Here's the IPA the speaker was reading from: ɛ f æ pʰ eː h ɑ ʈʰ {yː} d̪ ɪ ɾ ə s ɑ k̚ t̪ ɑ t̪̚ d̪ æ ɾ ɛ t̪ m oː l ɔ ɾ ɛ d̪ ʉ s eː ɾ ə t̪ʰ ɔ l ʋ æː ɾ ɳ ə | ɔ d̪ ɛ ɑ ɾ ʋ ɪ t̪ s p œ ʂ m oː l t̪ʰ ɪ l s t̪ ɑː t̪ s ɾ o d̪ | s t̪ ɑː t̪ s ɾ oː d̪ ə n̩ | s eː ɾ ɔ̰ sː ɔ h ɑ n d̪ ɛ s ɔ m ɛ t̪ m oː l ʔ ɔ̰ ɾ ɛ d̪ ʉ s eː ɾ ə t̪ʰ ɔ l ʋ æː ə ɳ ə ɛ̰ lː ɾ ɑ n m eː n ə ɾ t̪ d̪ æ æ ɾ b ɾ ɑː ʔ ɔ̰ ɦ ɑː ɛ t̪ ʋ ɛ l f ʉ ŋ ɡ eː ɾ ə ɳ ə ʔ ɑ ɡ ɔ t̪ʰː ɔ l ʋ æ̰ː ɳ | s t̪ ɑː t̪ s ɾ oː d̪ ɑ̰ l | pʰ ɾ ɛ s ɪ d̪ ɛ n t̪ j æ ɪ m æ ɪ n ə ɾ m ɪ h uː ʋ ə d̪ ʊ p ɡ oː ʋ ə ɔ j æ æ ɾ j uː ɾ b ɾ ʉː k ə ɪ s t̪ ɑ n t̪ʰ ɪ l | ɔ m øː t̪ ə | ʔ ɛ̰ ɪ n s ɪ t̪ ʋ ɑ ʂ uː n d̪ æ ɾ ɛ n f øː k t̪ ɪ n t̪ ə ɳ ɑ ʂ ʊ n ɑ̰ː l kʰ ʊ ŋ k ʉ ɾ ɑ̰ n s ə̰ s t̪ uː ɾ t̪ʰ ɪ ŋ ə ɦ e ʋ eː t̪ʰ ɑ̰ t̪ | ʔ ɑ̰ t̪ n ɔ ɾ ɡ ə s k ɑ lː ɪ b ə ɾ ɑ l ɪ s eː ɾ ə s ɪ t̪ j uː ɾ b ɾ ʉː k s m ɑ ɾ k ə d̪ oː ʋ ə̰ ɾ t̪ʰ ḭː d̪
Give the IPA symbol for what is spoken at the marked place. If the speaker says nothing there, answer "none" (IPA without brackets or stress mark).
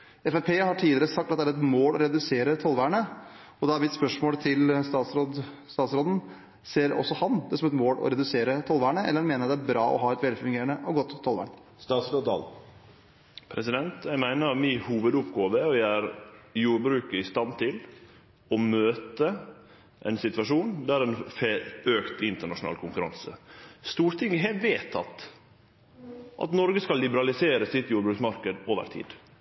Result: iː